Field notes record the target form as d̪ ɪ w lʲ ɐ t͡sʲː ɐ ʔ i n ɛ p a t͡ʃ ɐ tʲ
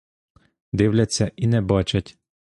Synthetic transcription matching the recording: d̪ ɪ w lʲ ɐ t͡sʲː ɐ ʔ i n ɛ b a t͡ʃ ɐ tʲ